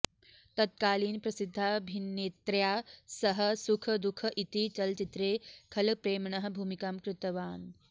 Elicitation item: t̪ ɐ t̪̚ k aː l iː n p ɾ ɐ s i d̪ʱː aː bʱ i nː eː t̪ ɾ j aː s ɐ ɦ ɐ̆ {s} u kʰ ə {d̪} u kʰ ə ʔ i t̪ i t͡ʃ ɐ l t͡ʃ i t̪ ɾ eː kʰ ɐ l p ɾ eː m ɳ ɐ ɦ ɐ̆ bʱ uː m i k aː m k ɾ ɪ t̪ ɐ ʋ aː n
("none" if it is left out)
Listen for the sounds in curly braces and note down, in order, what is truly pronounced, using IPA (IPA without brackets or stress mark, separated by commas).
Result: s, d̪